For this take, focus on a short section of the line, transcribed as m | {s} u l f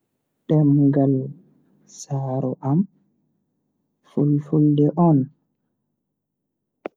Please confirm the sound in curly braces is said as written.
no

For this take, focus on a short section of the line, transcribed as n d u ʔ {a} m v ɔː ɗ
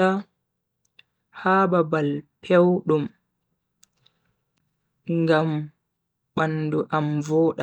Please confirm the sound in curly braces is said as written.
yes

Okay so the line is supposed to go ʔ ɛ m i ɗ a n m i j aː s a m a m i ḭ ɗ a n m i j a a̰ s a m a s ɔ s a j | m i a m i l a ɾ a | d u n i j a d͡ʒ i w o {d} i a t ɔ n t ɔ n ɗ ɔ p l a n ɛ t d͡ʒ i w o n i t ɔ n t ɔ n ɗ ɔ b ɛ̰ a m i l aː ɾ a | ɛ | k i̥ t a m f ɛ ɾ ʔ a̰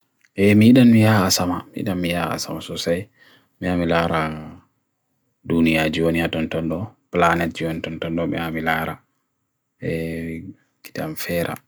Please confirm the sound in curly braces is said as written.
no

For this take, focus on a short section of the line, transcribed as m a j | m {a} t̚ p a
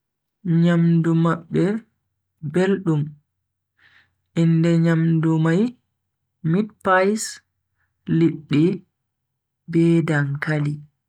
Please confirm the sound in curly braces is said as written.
no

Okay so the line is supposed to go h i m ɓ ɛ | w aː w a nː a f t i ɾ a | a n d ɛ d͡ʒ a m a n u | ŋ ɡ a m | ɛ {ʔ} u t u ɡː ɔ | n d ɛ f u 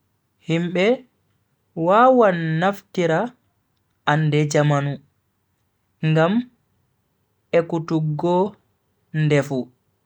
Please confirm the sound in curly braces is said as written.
no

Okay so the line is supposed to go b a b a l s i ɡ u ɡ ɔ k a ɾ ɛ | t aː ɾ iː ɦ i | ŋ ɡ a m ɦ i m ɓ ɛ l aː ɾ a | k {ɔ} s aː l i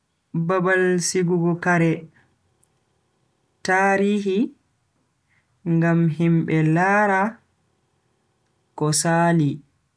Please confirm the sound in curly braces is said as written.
yes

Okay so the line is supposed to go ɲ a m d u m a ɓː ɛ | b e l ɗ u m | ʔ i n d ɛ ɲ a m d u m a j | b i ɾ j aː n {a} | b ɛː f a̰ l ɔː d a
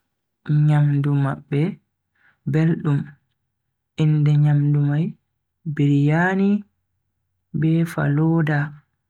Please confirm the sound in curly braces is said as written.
no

